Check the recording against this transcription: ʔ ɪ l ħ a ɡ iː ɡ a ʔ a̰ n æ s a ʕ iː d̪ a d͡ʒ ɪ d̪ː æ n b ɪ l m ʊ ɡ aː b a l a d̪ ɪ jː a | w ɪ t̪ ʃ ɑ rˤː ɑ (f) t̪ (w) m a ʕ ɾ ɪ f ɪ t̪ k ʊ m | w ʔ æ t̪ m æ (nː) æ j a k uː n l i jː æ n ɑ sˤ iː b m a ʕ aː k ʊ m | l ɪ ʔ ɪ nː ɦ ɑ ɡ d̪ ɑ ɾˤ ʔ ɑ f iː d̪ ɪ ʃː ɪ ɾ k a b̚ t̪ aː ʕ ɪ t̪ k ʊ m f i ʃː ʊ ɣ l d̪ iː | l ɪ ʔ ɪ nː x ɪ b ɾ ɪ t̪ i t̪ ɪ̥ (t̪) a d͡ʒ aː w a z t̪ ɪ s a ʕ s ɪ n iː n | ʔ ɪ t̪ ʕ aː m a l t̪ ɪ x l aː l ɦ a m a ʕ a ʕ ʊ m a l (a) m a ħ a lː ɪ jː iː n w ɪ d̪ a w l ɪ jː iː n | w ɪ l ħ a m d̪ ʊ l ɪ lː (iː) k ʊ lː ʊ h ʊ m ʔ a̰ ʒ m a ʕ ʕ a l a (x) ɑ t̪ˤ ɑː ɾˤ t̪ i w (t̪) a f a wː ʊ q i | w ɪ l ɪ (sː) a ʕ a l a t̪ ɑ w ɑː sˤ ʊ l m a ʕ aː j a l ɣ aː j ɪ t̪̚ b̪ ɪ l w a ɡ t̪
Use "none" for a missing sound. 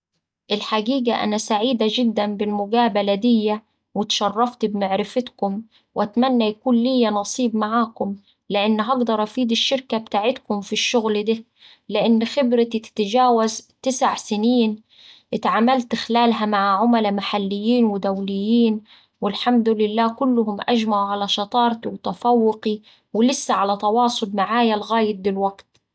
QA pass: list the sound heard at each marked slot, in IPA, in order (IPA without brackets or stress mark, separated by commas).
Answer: f, b, nː, t̪, a, aː, ʃ, t̪, sː